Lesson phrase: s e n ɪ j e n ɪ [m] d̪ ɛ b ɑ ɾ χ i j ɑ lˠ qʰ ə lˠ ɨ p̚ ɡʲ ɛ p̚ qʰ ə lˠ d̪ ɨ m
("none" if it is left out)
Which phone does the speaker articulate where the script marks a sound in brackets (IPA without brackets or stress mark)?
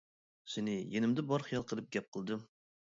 m